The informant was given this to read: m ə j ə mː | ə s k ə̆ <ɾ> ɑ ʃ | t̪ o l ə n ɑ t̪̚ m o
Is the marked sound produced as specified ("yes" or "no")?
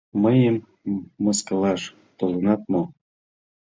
no